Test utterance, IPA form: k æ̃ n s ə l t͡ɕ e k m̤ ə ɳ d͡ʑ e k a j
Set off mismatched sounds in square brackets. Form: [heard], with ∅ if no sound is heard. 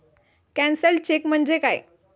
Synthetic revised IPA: k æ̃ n s ə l t͡ɕ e k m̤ ə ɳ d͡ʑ e k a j